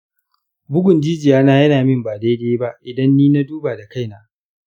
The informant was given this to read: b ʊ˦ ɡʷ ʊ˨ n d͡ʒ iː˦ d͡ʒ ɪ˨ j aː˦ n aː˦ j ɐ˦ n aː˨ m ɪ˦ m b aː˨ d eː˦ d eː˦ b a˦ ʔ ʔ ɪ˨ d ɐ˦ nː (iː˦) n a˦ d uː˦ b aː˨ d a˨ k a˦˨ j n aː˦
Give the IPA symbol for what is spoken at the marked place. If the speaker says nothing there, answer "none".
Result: iː˦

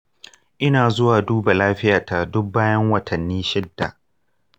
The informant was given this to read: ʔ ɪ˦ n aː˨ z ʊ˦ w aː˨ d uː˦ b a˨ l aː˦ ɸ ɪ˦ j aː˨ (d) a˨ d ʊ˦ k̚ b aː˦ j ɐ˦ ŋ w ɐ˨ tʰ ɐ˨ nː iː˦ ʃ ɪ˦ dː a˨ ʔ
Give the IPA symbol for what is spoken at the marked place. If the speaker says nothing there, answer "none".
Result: t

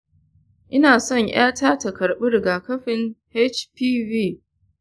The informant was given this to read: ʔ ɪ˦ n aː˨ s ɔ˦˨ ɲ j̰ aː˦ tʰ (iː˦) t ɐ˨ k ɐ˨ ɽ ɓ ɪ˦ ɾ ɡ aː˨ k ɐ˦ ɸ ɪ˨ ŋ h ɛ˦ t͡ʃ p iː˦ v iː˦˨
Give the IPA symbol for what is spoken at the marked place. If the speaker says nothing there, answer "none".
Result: aː˦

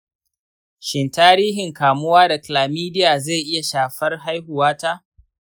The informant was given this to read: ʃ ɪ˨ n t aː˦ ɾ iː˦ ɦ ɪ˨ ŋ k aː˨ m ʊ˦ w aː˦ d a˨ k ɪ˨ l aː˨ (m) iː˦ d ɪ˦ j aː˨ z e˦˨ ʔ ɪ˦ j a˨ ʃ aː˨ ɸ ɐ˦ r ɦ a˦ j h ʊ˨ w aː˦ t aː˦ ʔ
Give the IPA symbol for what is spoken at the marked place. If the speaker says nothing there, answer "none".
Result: m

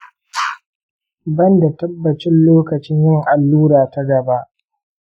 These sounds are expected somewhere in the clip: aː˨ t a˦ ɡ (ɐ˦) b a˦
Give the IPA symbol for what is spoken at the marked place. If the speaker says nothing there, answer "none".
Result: ɐ˨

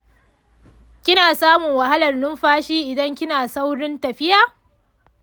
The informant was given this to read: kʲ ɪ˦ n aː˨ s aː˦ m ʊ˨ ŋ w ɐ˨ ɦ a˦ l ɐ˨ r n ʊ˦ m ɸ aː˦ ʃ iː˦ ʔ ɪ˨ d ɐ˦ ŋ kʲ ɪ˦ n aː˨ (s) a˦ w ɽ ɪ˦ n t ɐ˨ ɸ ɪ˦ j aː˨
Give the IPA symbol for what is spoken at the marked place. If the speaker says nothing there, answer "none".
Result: s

